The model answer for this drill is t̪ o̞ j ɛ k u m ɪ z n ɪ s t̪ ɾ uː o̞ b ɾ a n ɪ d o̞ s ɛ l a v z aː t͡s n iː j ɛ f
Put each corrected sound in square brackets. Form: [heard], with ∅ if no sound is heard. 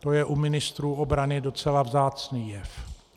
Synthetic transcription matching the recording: t̪ o̞ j ɛ [ʔ] u m ɪ [∅] n ɪ s t̪ ɾ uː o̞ b ɾ a n ɪ d o̞ [t͡s] ɛ l a v z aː t͡s n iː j ɛ f